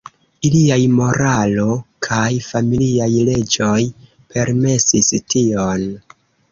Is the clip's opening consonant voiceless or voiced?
voiced